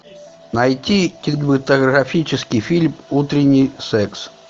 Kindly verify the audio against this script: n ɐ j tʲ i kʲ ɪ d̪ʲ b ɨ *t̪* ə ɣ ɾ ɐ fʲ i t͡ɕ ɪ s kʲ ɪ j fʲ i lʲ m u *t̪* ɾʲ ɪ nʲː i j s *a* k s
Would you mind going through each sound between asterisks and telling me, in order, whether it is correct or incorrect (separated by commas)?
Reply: correct, correct, incorrect